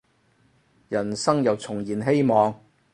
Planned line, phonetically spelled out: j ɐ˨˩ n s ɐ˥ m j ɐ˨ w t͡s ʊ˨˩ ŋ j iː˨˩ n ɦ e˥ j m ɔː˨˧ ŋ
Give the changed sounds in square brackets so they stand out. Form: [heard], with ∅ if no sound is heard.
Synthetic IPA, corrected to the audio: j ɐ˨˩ n s ɐ˥ [ŋ] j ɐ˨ w [t͡sʰ] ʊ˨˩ ŋ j iː˨˩ n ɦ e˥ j m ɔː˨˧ ŋ